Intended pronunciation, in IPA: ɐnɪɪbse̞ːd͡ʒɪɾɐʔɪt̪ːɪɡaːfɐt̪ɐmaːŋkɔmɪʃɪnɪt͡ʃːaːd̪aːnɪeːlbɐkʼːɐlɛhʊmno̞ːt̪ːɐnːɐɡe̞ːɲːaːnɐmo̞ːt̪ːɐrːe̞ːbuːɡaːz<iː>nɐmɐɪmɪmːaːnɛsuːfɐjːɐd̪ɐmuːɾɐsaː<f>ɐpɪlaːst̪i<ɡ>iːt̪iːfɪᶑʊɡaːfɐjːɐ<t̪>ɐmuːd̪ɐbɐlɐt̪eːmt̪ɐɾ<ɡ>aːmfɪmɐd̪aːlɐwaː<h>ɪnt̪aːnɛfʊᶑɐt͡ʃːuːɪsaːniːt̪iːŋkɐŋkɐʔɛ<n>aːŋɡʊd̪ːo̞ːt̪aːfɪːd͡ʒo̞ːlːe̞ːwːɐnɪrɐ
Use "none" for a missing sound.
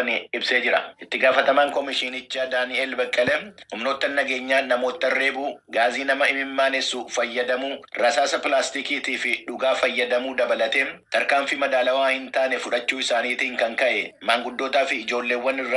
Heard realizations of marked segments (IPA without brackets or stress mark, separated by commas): iː, s, k, d̪, k, h, m